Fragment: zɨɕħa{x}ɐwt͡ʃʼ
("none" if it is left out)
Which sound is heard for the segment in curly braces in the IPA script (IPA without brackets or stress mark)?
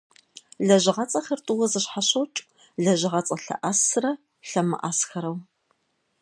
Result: ɕ